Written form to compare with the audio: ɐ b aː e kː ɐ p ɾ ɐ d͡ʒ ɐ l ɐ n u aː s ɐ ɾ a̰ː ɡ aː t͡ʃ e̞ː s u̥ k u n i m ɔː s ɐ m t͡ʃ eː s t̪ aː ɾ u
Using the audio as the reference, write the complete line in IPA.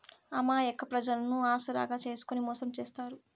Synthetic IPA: ɐ m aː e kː ɐ p ɾ ɐ d͡ʒ ɐ l ɐ n u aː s ɐ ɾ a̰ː ɡ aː t͡ʃ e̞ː s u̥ k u n i m ɔː s ɐ m t͡ʃ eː s t̪ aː ɾ u

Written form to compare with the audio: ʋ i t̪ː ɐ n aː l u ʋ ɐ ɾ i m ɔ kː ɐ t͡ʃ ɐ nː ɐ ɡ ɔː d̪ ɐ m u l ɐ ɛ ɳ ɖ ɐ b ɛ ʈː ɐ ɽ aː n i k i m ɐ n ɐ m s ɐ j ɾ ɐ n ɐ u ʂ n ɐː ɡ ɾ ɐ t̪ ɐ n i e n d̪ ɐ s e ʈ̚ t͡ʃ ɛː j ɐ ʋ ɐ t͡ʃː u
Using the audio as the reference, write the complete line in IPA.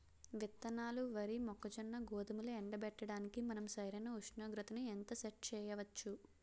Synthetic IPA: ʋ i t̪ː ɐ n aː l u ʋ ɐ ɾ i m ɔ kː ɐ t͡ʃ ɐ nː ɐ ɡ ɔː d̪ ɐ m u l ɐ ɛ ɳ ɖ ɐ b ɛ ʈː ɐ ɽ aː n i k i m ɐ n ɐ m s ɐ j ɾ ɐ n ɐ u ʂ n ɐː ɡ ɾ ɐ t̪ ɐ n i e n t̪ ɐ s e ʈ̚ t͡ʃ ɛː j ɐ ʋ ɐ t͡ʃː u

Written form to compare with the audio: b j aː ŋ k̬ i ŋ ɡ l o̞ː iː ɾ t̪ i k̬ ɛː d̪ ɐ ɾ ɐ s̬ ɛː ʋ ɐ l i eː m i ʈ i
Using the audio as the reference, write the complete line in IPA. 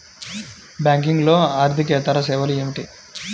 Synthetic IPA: b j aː ŋ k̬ i ŋ ɡ l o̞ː aː ɾ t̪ i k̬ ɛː t̪ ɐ ɾ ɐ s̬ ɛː ʋ ɐ l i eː m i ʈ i

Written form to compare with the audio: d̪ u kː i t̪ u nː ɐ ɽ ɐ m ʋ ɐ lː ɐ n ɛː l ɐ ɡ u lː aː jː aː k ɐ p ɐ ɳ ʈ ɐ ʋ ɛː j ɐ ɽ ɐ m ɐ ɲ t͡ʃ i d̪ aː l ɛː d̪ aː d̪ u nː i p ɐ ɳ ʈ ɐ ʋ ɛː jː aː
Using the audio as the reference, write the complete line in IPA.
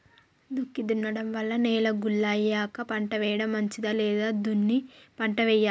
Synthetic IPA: d̪ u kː i d̪ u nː ɐ ɽ ɐ m ʋ ɐ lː ɐ n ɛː l ɐ ɡ u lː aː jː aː k ɐ p ɐ ɳ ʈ ɐ ʋ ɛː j ɐ ɽ ɐ m ɐ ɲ t͡ʃ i d̪ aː l ɛː d̪ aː d̪ u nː i p ɐ ɳ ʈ ɐ ʋ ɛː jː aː

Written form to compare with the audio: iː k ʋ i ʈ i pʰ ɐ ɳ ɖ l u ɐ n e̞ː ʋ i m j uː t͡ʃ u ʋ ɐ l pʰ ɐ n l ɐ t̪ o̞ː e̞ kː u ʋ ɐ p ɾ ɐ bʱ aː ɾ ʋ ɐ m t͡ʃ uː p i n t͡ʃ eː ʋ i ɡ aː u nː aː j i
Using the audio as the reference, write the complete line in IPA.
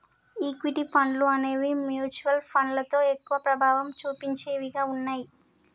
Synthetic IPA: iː k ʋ i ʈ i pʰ ɐ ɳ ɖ l u ɐ n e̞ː ʋ i m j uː t͡ʃ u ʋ ɐ l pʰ ɐ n l ɐ t̪ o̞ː e̞ kː u ʋ ɐ p ɾ ɐ bʱ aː ʋ ɐ m t͡ʃ uː p i ɲ t͡ʃ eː ʋ i ɡ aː u nː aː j i

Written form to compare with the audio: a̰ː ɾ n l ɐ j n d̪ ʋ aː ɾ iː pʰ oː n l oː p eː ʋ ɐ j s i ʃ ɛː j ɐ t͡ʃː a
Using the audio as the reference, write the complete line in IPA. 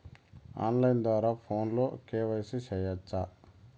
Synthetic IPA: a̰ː n l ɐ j n d̪ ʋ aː ɾ aː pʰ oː n l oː k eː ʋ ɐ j s i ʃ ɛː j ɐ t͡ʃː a

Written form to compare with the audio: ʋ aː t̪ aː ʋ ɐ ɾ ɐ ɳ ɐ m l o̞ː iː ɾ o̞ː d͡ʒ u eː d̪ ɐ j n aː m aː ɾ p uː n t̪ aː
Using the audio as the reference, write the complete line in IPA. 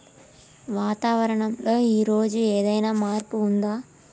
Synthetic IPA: ʋ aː t̪ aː ʋ ɐ ɾ ɐ ɳ ɐ m l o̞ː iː ɾ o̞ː d͡ʒ u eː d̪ ɐ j n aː m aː ɾ p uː n d̪ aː

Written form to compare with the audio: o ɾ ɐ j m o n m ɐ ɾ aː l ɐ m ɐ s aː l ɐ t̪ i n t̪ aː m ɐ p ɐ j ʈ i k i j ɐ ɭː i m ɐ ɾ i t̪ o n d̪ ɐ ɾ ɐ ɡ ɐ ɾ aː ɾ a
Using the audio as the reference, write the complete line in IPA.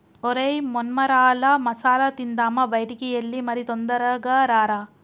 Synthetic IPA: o ɾ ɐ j m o n m ɐ ɾ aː l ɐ m ɐ s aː l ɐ t̪ i n d̪ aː m ɐ b ɐ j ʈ i k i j ɐ lː i m ɐ ɾ i t̪ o n d̪ ɐ ɾ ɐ ɡ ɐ ɾ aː ɾ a

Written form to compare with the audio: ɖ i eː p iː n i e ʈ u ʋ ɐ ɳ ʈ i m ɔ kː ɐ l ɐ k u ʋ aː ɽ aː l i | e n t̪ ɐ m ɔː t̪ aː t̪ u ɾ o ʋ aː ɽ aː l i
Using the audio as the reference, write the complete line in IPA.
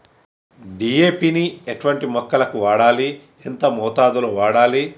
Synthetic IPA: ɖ i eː p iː n i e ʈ u ʋ ɐ ɳ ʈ i m ɔ kː ɐ l ɐ k u ʋ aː ɽ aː l i | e n t̪ ɐ m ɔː t̪ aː d̪ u l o ʋ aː ɽ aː l i

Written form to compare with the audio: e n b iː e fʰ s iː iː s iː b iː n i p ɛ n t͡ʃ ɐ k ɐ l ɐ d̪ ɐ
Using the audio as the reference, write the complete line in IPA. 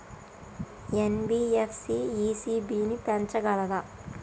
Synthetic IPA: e n b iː e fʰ s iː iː s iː b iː n i p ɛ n t͡ʃ ɐ ɡ ɐ l ɐ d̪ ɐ

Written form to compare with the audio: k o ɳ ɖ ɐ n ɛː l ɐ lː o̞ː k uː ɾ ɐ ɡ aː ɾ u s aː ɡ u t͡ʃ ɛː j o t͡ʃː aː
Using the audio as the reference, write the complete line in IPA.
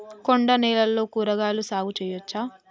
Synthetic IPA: k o ɳ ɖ ɐ n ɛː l ɐ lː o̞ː k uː ɾ ɐ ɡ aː l u s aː ɡ u t͡ʃ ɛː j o t͡ʃː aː

